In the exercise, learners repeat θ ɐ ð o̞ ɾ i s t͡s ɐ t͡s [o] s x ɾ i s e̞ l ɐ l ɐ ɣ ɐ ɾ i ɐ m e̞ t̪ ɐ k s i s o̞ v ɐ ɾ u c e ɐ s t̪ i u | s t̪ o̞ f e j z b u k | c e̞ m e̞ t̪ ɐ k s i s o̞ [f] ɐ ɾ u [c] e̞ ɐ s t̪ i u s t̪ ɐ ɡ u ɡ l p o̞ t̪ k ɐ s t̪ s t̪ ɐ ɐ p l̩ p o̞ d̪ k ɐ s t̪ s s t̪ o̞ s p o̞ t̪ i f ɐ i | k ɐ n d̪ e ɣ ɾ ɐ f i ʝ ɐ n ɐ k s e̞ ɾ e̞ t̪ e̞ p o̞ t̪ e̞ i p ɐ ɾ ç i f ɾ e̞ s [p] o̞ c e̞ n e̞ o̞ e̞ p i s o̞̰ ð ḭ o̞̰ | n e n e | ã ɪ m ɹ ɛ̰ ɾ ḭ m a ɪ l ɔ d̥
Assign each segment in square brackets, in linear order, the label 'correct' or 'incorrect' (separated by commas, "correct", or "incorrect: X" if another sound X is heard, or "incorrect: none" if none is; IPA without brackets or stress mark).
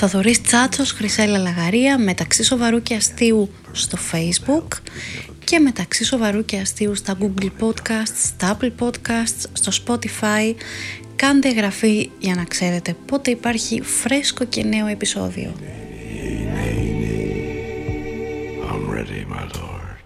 correct, incorrect: v, correct, incorrect: k